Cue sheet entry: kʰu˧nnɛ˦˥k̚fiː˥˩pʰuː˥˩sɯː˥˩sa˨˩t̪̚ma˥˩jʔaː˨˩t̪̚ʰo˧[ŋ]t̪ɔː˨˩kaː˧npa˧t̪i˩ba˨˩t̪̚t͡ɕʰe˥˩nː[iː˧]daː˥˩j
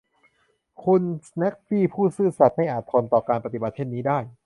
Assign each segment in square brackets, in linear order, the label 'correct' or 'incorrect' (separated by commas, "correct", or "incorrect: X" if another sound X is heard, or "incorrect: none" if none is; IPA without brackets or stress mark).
incorrect: n, incorrect: iː˦˥